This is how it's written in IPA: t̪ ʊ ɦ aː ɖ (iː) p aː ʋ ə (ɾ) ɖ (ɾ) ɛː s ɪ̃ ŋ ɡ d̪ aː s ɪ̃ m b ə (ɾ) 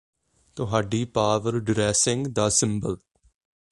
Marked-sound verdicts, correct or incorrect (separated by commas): correct, correct, correct, incorrect